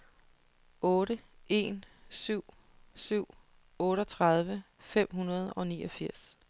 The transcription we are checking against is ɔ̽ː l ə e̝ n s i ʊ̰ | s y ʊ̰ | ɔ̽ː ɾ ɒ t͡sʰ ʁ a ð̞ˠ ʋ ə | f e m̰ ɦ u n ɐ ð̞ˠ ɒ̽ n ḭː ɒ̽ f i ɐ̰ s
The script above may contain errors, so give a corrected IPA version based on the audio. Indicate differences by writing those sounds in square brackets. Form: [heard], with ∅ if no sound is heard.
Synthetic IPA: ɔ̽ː [ɾ] ə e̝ n s [y] ʊ̰ | s y ʊ̰ | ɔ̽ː ɾ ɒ t͡sʰ ʁ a ð̞ˠ ʋ ə | f e m̰ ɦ u n ɐ ð̞ˠ ɒ̽ n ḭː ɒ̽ f i ɐ̰ s